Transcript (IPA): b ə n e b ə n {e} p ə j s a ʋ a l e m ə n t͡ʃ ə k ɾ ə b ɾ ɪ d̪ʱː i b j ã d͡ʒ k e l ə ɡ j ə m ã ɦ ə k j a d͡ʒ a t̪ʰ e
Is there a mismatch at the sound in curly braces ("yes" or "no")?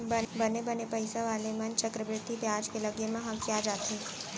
no